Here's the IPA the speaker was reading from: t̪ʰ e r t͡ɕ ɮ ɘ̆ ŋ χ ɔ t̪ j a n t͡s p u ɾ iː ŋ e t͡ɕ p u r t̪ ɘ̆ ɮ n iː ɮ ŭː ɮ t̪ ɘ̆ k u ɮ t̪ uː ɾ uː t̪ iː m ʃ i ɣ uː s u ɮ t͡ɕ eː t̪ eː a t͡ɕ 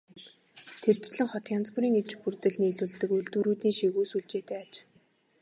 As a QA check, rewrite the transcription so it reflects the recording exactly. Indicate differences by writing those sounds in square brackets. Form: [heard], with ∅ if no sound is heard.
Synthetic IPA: t̪ʰ e r t͡ɕ ɮ ɘ̆ ŋ χ ɔ t̪ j a n t͡s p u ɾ iː ŋ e t͡ɕ p u r t̪ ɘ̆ ɮ n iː ɮ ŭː ɮ t̪ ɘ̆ k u ɮ t̪ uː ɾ uː t̪ iː [ŋ] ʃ i ɣ uː s u ɮ t͡ɕ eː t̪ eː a t͡ɕ